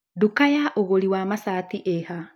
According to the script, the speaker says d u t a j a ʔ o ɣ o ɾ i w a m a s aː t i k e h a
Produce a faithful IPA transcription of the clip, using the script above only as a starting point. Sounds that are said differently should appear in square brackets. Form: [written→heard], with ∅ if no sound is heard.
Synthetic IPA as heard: d u [t→k] a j a ʔ o ɣ o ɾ i w a m a s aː t i [k→ʔ] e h a

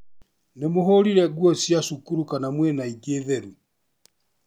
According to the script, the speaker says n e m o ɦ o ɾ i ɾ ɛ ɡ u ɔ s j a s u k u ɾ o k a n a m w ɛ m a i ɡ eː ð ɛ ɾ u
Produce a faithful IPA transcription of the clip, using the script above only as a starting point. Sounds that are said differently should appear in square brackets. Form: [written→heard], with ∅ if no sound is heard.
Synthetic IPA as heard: n e m o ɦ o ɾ i ɾ ɛ ɡ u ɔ s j a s u k u ɾ [o→u] k a n a m w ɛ [m→n] a i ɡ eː ð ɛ ɾ u

